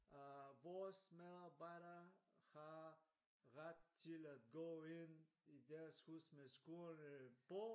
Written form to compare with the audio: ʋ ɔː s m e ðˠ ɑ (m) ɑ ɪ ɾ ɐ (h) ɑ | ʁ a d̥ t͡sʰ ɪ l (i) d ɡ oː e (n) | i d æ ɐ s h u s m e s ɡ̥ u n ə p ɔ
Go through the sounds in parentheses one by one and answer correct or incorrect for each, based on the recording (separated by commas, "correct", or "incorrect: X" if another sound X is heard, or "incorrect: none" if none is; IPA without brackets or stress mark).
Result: incorrect: b, correct, incorrect: æ, correct